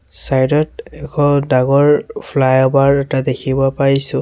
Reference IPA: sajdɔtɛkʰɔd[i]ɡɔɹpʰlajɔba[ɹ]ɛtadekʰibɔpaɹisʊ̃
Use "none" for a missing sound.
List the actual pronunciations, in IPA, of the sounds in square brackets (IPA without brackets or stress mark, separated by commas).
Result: a, ɹ